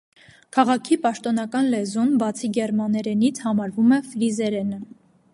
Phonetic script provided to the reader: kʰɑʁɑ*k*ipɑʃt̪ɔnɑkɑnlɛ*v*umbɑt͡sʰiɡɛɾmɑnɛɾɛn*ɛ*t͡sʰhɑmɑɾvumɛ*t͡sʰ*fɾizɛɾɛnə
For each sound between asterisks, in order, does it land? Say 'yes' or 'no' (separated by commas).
no, no, no, no